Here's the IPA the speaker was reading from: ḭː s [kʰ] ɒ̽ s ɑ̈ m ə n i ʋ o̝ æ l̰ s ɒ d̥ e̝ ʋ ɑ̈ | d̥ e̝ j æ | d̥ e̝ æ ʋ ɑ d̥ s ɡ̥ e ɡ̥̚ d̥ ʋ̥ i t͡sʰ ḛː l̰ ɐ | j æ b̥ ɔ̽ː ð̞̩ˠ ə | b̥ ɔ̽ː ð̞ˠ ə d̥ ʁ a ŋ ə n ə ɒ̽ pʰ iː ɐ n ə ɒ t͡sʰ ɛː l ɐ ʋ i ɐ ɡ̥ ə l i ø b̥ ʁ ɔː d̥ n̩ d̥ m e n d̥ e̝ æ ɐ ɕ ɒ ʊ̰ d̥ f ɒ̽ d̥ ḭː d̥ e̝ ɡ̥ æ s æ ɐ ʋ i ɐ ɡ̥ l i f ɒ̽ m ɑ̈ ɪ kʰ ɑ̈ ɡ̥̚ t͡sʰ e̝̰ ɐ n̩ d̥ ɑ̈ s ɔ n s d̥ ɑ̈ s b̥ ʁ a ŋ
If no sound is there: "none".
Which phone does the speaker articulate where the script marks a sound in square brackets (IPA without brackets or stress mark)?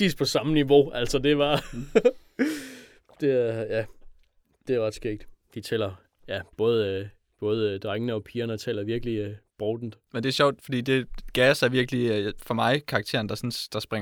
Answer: pʰ